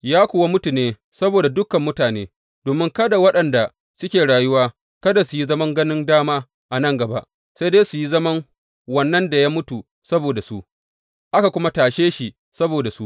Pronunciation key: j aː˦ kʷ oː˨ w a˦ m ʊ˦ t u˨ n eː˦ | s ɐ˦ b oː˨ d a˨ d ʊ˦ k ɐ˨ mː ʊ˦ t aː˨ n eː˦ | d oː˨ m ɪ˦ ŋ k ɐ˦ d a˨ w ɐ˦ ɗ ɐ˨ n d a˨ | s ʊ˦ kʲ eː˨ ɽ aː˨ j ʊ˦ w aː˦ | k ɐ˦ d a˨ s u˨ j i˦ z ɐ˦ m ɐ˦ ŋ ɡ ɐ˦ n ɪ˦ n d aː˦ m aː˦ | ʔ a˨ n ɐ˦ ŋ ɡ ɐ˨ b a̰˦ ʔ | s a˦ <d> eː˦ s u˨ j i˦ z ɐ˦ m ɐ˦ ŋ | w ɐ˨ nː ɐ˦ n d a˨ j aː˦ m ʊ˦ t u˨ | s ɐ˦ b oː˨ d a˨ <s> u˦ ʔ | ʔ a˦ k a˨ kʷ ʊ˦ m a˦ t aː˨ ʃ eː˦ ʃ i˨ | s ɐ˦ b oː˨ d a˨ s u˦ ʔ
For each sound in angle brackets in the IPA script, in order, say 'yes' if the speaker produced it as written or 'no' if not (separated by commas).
yes, yes